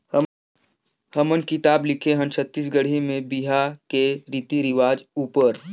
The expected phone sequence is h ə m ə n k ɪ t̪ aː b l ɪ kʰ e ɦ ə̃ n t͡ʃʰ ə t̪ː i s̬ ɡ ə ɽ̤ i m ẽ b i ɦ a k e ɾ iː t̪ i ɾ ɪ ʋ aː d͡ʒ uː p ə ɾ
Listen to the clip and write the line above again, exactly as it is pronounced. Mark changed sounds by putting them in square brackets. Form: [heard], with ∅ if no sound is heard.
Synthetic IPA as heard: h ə m ə n k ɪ t̪ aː b l ɪ kʰ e ɦ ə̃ n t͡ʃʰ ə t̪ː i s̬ ɡ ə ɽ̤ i m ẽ b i ɦ a k e ɾ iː t̪ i ɾ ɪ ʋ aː d͡ʒ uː p ə ɾ